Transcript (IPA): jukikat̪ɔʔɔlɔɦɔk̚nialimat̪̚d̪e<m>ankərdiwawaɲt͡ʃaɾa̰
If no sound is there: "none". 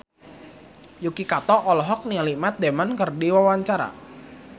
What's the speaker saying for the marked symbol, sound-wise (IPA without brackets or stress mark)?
m